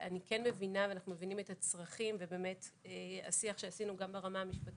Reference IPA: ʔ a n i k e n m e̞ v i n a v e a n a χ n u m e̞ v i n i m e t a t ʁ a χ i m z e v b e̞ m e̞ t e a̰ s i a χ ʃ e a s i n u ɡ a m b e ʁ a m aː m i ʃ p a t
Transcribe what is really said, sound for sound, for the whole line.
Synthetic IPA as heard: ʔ a n i k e n m e̞ v i n a v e a n a χ n u m e̞ v i n i m e t a t͡s ʁ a χ i m v e b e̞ m e̞ t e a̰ s i a χ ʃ e a s i n u ɡ a m b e ʁ a m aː m i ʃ p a t